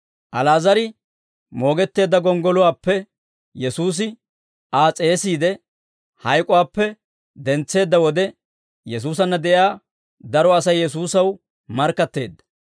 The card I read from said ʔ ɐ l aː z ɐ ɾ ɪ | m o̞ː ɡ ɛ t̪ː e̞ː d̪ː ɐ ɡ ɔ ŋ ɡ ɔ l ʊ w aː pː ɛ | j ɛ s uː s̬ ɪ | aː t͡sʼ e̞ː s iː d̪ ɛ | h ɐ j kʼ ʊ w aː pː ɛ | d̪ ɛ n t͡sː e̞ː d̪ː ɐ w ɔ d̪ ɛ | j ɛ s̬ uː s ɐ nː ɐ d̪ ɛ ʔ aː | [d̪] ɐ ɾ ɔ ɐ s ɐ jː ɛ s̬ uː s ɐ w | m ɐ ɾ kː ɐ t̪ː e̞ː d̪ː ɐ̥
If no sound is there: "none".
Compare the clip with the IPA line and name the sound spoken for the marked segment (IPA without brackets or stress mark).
d̪